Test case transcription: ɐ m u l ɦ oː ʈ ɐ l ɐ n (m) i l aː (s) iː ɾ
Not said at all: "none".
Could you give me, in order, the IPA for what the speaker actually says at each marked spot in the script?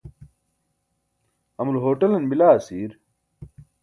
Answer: b, s

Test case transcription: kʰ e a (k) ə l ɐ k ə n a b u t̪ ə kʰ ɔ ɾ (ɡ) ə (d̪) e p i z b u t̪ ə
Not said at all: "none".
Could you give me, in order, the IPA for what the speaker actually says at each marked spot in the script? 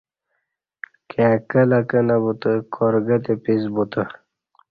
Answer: k, ɡ, t̪

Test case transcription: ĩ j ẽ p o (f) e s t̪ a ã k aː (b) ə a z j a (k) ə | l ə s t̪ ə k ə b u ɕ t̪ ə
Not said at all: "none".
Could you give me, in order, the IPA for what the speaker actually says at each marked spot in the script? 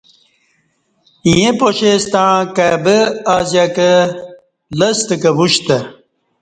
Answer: ɕ, b, k

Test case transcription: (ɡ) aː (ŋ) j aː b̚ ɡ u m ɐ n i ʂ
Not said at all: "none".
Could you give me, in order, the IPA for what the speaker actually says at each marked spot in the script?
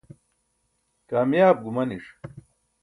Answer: k, m

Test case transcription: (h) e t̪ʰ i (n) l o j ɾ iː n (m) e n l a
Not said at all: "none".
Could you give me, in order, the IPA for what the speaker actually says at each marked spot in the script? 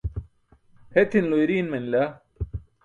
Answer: h, n, m

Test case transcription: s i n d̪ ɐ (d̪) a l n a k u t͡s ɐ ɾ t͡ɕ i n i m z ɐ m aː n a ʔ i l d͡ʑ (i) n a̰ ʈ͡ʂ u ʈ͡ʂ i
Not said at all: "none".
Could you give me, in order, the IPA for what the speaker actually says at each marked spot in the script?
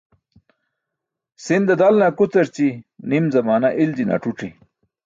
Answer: d̪, i

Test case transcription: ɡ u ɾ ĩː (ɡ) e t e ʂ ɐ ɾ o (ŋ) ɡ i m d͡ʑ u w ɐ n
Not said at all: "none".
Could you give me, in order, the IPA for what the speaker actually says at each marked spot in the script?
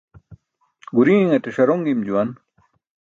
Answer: ŋ, ŋ

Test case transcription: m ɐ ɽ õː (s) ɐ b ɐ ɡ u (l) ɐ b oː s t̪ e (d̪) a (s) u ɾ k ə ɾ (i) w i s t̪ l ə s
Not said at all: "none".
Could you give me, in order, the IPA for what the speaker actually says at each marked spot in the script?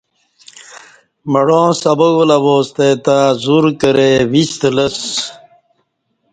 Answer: s, l, t̪, z, e

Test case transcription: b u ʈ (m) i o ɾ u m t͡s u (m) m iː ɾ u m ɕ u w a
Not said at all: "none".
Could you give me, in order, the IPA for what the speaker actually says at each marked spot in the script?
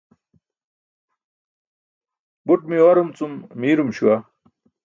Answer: m, m

